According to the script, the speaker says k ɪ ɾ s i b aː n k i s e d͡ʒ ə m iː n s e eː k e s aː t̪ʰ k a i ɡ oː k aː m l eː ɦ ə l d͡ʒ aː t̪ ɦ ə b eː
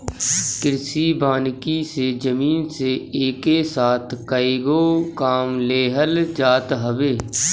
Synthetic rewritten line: k ɪ ɾ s i b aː n k i s e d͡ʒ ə m iː n s e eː k e s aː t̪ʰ k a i ɡ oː k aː m l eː ɦ ə l d͡ʒ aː t̪ ɦ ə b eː